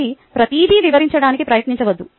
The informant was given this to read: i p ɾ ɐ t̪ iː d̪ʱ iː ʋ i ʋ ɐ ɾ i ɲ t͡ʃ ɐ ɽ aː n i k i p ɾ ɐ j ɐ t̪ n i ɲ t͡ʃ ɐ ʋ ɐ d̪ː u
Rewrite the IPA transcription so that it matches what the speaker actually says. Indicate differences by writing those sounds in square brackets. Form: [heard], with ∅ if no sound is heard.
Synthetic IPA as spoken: i p ɾ ɐ t̪ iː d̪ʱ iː ʋ i ʋ ɐ ɾ i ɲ t͡ʃ ɐ ɽ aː n i k i p ɾ ɐ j ɐ t̪ n i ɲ t͡ʃ ɐ ʋ ɐ d̪ː u